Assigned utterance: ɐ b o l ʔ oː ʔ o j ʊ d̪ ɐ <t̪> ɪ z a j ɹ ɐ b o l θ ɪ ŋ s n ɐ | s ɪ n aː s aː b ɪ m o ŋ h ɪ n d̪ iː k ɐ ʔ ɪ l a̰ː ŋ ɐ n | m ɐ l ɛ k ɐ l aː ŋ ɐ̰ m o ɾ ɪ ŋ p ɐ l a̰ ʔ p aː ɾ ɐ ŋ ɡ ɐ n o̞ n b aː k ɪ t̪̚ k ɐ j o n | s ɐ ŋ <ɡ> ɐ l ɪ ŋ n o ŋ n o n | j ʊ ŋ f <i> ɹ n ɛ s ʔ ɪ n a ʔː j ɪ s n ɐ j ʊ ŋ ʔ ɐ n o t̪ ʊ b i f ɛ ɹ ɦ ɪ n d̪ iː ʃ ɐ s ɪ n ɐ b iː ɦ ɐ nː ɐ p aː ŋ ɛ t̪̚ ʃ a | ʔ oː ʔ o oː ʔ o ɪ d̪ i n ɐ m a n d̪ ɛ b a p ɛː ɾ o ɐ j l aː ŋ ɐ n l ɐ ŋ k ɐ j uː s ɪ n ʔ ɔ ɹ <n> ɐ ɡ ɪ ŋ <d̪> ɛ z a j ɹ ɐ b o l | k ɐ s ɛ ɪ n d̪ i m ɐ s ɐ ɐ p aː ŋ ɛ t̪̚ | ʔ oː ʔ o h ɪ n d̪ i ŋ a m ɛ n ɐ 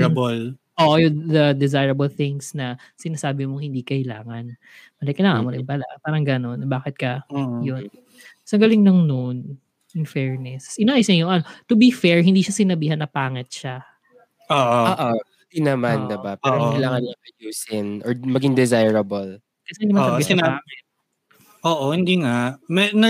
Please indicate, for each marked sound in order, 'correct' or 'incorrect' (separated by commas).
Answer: incorrect, correct, incorrect, incorrect, correct